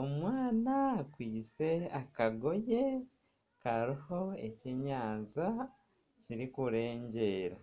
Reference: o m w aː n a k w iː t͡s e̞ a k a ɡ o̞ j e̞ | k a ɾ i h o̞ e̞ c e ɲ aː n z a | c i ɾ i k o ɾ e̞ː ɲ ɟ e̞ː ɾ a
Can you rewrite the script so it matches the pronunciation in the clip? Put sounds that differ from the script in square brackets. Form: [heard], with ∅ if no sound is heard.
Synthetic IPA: o m w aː n a k w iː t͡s e̞ a k a ɡ o̞ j e̞ | k a ɾ i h o̞ e̞ c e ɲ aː n z a | c i ɾ i k [u] ɾ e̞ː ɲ ɟ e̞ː ɾ a